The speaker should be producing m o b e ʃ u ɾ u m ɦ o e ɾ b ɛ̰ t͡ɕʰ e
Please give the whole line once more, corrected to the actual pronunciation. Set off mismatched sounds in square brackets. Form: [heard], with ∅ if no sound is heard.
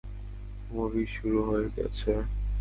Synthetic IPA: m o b [i] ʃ u ɾ u [∅] ɦ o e ɾ [ɡ] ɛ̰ t͡ɕʰ e